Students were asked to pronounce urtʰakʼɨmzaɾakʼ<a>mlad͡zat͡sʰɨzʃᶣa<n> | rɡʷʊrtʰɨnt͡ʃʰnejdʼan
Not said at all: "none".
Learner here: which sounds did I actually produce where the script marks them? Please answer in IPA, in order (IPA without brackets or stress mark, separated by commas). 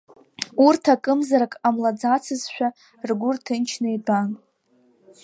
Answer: a, none